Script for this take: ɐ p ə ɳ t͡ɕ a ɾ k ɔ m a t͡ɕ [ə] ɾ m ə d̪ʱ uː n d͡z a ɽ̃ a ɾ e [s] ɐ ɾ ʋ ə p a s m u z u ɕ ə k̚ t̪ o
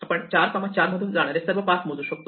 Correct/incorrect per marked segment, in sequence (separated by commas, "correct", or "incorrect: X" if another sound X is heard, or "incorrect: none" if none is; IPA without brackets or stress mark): incorrect: a, correct